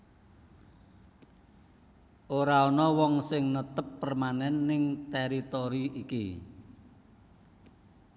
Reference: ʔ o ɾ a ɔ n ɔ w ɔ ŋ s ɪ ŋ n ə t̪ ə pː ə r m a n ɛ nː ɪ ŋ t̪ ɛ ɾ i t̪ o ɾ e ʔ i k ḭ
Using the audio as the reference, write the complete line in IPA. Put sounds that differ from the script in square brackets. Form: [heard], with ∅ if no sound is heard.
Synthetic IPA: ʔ o ɾ a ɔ n ɔ w ɔ ŋ s ɪ ŋ n ə t̪ ə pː ə r m a n ɛ nː ɪ ŋ t̪ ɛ ɾ i t̪ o ɾ [i] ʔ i k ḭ